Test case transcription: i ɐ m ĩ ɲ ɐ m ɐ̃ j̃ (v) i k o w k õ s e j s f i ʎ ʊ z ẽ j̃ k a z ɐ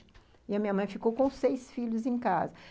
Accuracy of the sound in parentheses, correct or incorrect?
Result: incorrect